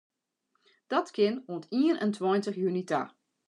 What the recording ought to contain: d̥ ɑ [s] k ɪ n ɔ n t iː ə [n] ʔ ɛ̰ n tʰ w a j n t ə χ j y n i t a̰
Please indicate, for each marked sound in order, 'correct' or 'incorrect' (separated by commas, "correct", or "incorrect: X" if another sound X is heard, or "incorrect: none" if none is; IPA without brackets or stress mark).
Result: incorrect: t, correct